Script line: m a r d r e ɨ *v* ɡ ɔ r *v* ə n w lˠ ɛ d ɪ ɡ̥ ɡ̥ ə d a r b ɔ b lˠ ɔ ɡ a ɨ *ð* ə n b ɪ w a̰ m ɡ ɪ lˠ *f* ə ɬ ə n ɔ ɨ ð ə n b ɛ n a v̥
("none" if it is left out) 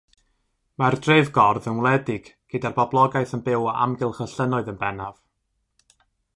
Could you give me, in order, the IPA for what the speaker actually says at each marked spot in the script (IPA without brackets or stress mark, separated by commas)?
v, ð, θ, χ